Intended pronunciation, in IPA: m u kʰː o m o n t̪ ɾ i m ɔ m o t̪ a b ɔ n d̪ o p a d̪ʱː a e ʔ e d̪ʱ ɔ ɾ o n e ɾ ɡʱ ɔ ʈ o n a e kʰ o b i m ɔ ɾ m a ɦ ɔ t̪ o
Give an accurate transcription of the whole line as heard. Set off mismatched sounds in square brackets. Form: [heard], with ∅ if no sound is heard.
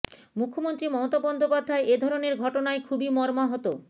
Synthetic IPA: m u kʰː o m o n t̪ ɾ i m ɔ m o t̪ a b ɔ n d̪ o p a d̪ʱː a e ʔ e d̪ʱ ɔ ɾ o n e ɾ ɡʱ ɔ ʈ o n a e kʰ [u] b i m ɔ ɾ m a ɦ ɔ t̪ o

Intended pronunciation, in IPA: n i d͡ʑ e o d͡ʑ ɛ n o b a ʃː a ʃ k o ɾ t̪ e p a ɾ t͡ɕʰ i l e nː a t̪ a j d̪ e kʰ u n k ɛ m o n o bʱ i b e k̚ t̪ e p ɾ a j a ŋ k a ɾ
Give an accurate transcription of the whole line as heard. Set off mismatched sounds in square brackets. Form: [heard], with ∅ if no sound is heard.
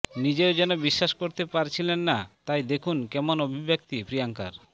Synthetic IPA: n i d͡ʑ e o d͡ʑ ɛ n o b [i] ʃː a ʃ k o ɾ t̪ e p a ɾ t͡ɕʰ i l e nː a t̪ a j d̪ e kʰ u n k ɛ m o n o bʱ i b e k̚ t̪ [i] p ɾ [i] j a ŋ k a ɾ

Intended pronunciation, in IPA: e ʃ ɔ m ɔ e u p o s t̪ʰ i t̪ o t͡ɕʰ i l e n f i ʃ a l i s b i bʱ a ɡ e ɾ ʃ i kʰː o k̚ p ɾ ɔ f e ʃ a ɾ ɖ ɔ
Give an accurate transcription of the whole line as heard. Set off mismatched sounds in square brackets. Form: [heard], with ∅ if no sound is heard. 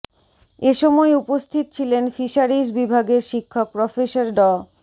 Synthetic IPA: e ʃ ɔ m ɔ e u p o s t̪ʰ i t̪ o t͡ɕʰ i l e n f i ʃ a [ɾ] i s b i bʱ a ɡ e ɾ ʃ i kʰː o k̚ p ɾ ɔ f e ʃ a ɾ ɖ ɔ

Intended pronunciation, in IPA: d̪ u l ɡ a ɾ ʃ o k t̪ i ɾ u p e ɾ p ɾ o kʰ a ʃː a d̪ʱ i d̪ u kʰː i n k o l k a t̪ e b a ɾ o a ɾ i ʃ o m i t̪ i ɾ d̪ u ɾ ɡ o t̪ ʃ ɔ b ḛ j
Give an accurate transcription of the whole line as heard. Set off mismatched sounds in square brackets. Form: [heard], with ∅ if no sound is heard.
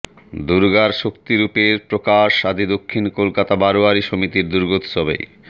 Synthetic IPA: d̪ u [ɾ] ɡ a ɾ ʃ o k t̪ i ɾ u p e ɾ p ɾ o [k] a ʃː a d̪ʱ i d̪ [o] kʰː i n k o l k a t̪ [a] b a ɾ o a ɾ i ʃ o m i t̪ i ɾ d̪ u ɾ ɡ o t̪ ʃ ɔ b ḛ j

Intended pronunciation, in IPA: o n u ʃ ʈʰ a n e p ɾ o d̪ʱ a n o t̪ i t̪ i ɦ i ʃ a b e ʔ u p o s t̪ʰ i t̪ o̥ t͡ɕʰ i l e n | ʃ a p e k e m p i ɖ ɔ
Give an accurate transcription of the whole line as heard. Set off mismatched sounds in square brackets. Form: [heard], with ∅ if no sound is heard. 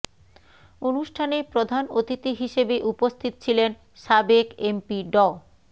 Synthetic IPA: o n u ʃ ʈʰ a n e p ɾ o d̪ʱ a n o t̪ i t̪ i ɦ i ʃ [e] b e ʔ u p o s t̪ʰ i t̪ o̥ t͡ɕʰ i l e n | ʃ a [b] e k e m p i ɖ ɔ

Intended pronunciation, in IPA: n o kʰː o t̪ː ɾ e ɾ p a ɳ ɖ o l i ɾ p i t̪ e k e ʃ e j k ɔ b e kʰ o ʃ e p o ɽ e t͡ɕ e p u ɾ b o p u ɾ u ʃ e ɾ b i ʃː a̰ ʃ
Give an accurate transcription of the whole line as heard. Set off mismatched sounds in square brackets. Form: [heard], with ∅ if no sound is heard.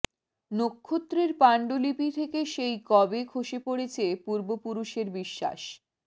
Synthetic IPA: n o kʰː o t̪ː ɾ e ɾ p a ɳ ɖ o l i [∅] p i [t̪ʰ] e k e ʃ e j k ɔ b e kʰ o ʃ e p o ɽ e [t͡ɕʰ] e p u ɾ b o p u ɾ u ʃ e ɾ b i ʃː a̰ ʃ

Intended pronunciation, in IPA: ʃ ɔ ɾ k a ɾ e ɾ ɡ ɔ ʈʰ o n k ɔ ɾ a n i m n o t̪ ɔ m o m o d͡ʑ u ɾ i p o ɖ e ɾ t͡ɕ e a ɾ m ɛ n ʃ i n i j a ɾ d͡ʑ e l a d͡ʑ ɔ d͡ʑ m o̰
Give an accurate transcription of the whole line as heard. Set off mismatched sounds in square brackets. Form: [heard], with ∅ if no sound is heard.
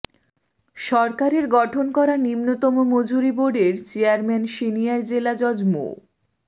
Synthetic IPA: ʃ ɔ ɾ k a ɾ e ɾ ɡ ɔ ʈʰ o n k ɔ ɾ a n i m n o t̪ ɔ m o m o d͡ʑ u ɾ i [b] o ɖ e ɾ t͡ɕ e a ɾ m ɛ n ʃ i n i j a ɾ d͡ʑ e l a d͡ʑ ɔ d͡ʑ m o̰

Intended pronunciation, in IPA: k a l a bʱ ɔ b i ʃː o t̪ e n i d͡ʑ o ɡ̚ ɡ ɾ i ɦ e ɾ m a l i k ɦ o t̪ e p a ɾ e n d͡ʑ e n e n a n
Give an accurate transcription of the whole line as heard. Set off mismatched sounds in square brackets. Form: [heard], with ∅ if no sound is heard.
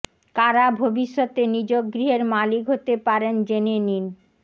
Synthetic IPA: k a [ɾ] a bʱ [o] b i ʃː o t̪ e n i d͡ʑ o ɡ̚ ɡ ɾ i ɦ e ɾ m a l i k ɦ o t̪ e p a ɾ e n d͡ʑ e n e n [i] n

